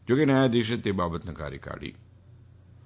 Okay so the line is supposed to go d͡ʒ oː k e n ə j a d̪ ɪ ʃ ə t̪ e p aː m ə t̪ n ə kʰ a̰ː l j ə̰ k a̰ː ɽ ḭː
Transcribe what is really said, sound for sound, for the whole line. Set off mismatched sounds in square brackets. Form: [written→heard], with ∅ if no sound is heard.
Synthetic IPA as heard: d͡ʒ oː k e n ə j a d̪ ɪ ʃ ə t̪ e [p→b] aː [m→b] ə t̪ n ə [kʰ→k] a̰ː [l→ɾ] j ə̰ k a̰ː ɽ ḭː